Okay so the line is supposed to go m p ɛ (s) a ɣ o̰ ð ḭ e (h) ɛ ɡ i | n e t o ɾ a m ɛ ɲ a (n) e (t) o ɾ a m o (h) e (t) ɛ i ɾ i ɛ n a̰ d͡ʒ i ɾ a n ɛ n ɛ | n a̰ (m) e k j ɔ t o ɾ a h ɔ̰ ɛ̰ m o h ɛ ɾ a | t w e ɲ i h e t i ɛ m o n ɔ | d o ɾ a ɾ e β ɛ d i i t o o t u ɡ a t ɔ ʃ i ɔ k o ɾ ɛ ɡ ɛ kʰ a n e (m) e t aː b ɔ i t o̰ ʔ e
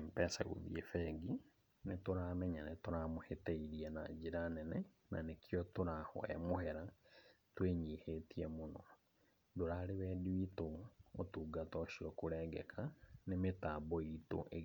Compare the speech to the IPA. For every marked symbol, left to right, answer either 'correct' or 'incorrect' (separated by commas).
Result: correct, incorrect, correct, correct, correct, correct, incorrect, correct